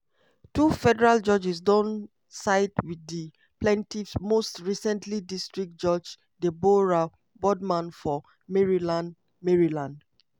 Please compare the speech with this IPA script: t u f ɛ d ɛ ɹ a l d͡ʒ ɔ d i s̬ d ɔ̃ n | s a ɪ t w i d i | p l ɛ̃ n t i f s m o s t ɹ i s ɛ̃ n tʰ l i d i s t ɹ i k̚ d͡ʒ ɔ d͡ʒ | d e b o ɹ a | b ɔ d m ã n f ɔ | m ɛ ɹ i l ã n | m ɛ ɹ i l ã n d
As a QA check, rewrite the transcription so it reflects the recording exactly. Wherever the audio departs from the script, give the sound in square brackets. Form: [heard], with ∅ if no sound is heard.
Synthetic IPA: t u f ɛ d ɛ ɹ a l d͡ʒ ɔ [d͡ʒ] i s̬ d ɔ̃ n | s a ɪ t w i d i | p l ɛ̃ n t i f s m o s t ɹ i s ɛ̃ n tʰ l i d i s t ɹ i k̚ d͡ʒ ɔ d͡ʒ | d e b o ɹ a | b ɔ d m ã n f ɔ | m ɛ ɹ i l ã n | m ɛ ɹ i l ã n d